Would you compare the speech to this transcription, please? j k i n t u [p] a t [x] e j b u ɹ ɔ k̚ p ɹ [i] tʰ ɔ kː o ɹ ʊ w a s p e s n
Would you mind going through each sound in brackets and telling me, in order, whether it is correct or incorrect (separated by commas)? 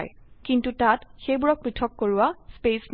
incorrect, correct, correct